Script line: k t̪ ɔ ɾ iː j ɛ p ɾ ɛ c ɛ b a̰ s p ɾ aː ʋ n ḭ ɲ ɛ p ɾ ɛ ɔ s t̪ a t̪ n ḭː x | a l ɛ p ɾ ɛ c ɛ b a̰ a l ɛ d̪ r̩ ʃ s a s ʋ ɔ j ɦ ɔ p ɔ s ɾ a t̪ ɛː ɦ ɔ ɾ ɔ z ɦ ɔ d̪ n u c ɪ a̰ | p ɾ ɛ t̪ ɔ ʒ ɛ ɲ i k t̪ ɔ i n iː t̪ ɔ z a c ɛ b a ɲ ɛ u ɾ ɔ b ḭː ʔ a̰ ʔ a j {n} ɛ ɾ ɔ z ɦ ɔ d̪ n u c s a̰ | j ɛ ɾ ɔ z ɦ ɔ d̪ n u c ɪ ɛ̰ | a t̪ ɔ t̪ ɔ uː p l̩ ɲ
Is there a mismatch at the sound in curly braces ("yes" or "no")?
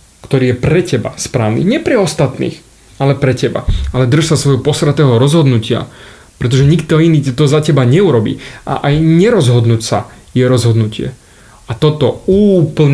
yes